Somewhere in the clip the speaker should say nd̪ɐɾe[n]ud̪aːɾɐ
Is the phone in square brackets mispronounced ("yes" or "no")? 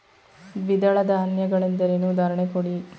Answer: no